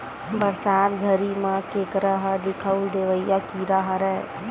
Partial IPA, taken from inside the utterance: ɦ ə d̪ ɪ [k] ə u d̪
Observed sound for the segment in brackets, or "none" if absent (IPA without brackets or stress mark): kʰ